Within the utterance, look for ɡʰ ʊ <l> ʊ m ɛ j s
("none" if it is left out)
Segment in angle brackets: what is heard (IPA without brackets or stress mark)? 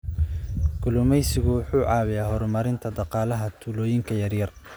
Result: l